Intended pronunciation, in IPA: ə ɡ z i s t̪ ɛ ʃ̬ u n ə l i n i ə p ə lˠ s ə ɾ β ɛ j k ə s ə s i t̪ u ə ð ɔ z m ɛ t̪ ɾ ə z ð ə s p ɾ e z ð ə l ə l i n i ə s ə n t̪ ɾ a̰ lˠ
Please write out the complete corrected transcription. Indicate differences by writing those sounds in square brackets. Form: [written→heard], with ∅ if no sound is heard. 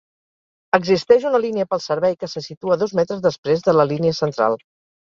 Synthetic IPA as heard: ə ɡ z i s t̪ ɛ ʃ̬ u n ə l i n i ə p ə lˠ s ə ɾ β ɛ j k ə s ə s i t̪ u ə ð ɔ z m ɛ t̪ ɾ ə z ð ə s p ɾ e z ð ə l ə l i n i ə s ə n t̪ ɾ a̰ lˠ